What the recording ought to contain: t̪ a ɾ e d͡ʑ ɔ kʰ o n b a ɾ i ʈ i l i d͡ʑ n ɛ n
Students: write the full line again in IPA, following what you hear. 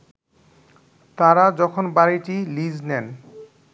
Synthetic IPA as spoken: t̪ a ɾ a d͡ʑ ɔ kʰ o n b a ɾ i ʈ i l i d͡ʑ n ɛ n